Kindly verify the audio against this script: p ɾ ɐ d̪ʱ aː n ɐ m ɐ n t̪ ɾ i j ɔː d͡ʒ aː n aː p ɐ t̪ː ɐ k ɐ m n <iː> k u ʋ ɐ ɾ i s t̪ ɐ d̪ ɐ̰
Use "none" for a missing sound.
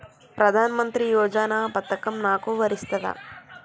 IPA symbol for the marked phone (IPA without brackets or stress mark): aː